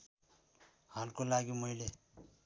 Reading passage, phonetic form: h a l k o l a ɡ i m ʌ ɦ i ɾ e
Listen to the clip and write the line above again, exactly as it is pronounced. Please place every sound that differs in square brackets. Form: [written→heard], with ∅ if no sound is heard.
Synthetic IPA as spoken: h a l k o l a ɡ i m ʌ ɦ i [ɾ→l] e